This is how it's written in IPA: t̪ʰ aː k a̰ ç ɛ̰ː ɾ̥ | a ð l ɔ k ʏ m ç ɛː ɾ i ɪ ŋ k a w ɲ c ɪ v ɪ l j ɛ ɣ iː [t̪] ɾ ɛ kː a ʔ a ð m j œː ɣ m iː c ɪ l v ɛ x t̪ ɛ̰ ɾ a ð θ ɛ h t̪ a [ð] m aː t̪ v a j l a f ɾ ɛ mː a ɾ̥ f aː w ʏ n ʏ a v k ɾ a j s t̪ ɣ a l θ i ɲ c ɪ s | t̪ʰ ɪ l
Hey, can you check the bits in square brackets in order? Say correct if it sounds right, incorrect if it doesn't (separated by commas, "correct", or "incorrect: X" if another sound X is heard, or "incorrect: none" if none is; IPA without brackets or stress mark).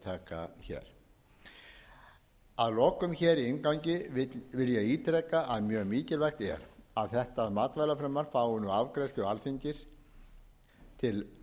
correct, correct